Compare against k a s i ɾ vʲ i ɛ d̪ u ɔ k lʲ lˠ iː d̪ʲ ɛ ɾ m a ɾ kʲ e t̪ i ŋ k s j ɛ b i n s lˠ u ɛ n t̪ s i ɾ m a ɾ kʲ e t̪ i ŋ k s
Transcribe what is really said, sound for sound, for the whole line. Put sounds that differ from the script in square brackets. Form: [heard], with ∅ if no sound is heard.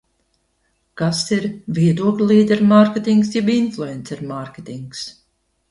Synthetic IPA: k a s i ɾ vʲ i ɛ d̪ u ɔ k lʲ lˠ iː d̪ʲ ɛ ɾ m a ɾ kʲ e t̪ i ŋ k s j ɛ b i n [f] lˠ u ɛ n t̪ s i ɾ m a ɾ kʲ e t̪ i ŋ k s